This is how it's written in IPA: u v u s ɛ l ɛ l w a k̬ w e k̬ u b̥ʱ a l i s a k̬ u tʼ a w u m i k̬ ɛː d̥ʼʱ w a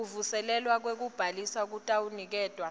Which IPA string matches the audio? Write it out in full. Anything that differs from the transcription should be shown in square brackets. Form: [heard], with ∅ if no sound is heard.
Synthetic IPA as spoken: u v u s ɛ l ɛ l w a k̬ w e k̬ u b̥ʱ a l i s a k̬ u tʼ a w u [n] i k̬ ɛː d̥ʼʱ w a